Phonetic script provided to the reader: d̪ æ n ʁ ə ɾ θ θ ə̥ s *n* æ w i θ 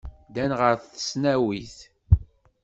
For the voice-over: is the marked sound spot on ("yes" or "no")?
yes